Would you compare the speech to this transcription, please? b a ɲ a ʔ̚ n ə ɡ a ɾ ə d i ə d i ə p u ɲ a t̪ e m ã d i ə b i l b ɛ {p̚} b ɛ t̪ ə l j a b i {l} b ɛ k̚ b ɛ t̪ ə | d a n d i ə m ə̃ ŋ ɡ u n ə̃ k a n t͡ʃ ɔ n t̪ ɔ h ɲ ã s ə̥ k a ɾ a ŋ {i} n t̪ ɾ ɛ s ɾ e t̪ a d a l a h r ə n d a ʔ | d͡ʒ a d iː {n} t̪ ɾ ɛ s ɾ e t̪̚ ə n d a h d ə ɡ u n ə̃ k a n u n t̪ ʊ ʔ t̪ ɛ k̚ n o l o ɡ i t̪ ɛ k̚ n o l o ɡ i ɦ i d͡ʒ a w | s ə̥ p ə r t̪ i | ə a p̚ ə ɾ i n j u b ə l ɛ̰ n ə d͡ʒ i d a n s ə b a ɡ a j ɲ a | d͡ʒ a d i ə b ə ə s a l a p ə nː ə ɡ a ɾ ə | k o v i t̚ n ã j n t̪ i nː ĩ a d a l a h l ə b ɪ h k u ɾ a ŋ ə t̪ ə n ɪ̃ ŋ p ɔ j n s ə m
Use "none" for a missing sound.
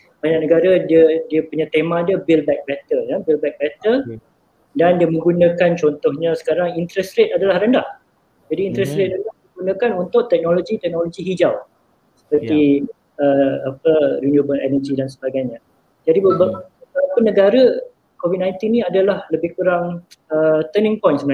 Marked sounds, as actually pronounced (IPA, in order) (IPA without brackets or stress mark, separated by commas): k̚, l, i, n